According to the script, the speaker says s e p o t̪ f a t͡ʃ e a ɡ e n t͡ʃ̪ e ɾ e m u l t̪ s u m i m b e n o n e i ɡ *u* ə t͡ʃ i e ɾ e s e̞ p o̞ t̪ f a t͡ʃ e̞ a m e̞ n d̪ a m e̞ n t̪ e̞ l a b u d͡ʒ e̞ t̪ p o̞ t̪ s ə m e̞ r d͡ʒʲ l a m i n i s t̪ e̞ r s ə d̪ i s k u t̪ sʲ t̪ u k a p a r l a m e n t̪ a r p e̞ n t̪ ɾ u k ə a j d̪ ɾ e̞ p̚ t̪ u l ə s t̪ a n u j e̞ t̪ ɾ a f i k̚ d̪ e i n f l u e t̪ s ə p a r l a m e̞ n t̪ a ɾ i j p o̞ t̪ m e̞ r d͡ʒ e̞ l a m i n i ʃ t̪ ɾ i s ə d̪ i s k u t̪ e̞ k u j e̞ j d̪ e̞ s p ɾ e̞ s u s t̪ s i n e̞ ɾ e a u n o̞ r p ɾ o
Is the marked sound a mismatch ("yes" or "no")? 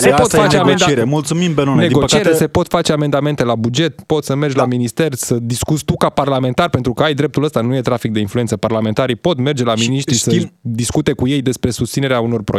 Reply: yes